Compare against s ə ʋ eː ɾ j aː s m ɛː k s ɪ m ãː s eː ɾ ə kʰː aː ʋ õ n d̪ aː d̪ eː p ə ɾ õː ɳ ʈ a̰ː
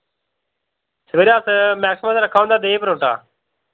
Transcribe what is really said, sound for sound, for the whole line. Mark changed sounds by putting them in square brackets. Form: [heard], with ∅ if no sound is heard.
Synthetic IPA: s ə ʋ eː ɾ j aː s m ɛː k s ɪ m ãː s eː ɾ ə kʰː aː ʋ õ n d̪ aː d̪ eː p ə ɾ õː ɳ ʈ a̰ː